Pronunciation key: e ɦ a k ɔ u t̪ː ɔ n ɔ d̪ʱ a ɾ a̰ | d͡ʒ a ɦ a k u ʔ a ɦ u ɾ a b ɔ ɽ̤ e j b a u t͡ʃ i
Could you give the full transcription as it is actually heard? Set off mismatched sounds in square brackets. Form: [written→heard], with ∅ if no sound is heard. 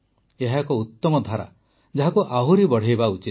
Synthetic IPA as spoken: e ɦ a k ɔ u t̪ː ɔ [n→m] ɔ d̪ʱ a ɾ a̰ | d͡ʒ a ɦ a k u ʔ a ɦ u ɾ [a→i] b ɔ ɽ̤ e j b a u t͡ʃ i